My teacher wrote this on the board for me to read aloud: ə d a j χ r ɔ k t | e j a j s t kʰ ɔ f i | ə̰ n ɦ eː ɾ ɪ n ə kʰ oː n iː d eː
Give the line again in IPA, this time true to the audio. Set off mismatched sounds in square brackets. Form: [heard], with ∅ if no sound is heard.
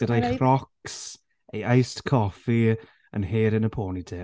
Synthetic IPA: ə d a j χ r ɔ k [s] | e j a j s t kʰ ɔ f i | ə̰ n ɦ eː ɾ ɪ n ə [pʰ] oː n [i] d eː